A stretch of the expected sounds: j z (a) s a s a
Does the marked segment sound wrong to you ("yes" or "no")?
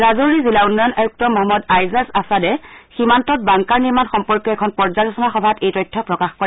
no